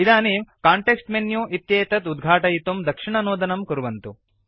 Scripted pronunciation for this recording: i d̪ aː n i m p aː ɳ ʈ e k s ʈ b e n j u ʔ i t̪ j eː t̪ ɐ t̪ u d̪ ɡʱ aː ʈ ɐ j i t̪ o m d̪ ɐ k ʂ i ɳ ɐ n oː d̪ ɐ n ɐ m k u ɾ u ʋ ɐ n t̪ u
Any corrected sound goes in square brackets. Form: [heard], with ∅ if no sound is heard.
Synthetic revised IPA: i d̪ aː n i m [k] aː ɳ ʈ e k s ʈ [m] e n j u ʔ i t̪ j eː t̪ ɐ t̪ u d̪ ɡʱ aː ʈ ɐ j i t̪ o m d̪ ɐ k ʂ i ɳ ɐ n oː d̪ ɐ n ɐ m k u ɾ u ʋ ɐ n t̪ u